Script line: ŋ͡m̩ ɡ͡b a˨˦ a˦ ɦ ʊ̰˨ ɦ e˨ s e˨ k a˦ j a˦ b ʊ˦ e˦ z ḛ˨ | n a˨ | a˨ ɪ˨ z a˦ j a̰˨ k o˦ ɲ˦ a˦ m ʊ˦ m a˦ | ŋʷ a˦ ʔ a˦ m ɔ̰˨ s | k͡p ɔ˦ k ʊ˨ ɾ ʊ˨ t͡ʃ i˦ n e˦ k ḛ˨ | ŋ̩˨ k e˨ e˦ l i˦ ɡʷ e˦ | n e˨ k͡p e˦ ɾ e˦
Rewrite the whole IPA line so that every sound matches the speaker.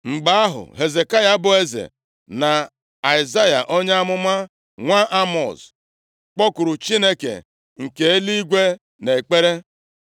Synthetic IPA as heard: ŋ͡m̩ ɡ͡b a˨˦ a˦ ɦ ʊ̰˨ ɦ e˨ z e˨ k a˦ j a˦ b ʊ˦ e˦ z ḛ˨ | n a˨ | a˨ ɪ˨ z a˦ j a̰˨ ʔ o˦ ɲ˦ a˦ m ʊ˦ m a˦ | ŋʷ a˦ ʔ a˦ m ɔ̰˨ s | k͡p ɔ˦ k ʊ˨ ɾ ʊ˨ t͡ʃ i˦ n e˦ k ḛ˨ | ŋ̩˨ k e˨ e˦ l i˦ ɡʷ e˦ | n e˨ k͡p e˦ ɾ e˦